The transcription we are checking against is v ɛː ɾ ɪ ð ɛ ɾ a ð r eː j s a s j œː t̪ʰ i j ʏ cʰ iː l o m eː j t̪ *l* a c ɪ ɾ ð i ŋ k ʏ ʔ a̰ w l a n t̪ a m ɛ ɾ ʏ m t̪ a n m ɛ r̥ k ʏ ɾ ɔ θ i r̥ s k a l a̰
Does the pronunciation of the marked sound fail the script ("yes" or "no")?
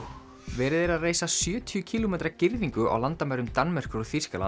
yes